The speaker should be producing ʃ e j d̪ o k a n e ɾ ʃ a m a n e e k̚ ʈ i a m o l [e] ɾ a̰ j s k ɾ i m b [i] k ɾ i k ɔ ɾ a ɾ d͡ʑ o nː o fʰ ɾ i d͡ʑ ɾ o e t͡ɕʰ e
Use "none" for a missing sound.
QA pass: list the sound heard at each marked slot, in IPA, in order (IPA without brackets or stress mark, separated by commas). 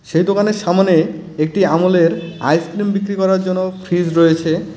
e, i